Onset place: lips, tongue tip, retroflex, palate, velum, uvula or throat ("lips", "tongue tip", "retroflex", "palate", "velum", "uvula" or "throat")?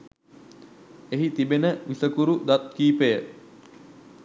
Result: throat